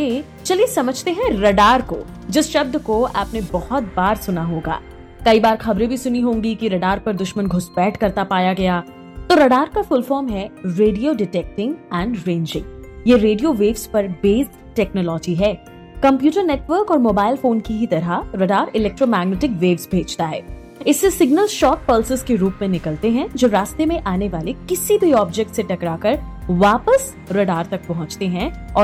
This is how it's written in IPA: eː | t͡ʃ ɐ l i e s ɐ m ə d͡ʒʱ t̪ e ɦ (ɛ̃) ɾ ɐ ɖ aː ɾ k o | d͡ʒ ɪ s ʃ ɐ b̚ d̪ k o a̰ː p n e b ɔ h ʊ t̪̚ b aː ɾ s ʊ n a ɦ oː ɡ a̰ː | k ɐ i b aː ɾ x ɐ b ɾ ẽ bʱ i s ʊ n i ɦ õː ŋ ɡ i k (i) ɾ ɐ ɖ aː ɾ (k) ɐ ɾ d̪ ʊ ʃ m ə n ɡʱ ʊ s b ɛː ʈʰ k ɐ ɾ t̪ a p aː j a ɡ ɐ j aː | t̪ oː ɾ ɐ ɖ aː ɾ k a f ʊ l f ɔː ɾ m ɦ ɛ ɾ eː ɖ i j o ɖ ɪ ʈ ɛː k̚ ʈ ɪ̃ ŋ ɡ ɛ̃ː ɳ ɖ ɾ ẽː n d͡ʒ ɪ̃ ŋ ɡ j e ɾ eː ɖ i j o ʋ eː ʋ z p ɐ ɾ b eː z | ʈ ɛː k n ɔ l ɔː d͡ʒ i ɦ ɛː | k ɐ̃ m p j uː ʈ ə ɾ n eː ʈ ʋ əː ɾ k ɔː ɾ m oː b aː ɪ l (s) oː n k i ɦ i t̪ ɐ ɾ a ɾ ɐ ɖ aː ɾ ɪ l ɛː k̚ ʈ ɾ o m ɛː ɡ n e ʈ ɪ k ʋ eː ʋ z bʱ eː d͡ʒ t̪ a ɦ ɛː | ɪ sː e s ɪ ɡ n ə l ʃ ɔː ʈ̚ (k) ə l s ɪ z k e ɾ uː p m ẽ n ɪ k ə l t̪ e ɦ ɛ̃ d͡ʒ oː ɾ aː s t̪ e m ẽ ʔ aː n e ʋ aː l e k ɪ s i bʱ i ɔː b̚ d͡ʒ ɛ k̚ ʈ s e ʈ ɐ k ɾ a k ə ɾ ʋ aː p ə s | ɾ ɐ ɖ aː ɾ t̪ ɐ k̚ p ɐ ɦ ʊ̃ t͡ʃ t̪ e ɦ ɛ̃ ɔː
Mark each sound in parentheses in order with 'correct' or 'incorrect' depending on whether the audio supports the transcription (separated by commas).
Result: correct, correct, incorrect, incorrect, incorrect